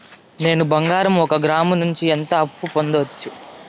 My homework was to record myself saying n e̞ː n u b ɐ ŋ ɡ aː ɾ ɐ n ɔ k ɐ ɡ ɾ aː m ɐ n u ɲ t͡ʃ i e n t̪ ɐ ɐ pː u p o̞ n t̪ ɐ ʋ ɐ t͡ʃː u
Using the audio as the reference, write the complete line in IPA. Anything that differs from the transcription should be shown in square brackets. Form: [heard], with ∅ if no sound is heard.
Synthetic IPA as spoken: n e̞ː n u b ɐ ŋ ɡ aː ɾ ɐ [m] ɔ k ɐ ɡ ɾ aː m ɐ n u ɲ t͡ʃ i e n t̪ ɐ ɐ pː u p o̞ n [d̪] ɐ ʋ ɐ t͡ʃː u